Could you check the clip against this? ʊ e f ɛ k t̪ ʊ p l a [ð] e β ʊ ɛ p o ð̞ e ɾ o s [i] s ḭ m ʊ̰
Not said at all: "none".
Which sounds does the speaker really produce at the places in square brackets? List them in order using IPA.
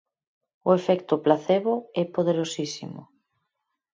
θ, i

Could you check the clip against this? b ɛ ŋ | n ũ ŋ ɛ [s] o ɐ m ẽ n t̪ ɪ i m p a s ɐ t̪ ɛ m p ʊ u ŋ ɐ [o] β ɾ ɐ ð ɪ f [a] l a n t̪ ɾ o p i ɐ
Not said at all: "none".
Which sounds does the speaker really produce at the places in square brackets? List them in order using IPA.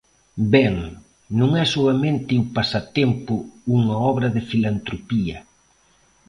s, ɔ, i

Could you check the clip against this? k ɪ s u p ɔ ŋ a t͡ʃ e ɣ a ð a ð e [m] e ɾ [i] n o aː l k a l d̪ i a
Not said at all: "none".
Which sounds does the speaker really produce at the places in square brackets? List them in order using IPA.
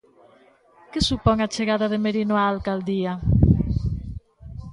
m, i

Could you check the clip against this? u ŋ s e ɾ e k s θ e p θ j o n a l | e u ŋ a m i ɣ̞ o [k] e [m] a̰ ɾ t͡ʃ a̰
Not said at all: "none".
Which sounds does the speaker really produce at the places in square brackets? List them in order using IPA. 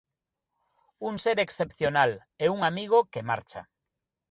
k, m

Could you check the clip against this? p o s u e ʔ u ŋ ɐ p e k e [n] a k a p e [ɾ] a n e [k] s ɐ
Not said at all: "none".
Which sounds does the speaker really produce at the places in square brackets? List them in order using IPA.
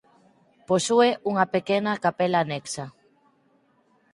n, l, k

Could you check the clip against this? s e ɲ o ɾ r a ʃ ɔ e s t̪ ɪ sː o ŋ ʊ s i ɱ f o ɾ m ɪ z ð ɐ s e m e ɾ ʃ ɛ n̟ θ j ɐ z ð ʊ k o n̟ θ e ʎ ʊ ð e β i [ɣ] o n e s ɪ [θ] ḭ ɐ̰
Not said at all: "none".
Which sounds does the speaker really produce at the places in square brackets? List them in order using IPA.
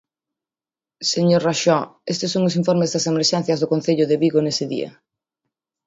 ɣ, ð

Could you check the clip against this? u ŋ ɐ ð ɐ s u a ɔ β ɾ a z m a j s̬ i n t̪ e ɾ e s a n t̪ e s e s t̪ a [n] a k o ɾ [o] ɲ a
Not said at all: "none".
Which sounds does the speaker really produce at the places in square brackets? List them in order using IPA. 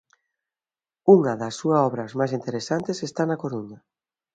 n, u

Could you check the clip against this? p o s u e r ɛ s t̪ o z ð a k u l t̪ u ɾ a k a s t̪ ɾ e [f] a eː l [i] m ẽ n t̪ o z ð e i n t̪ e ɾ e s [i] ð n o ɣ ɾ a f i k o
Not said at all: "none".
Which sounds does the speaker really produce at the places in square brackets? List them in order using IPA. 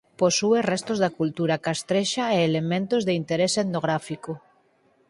ʃ, e, e

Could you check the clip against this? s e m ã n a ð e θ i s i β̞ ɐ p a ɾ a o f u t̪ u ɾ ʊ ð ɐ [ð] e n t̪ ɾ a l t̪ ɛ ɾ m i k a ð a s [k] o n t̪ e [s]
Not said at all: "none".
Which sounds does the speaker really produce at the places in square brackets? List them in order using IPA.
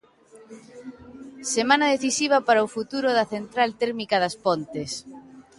θ, p, s

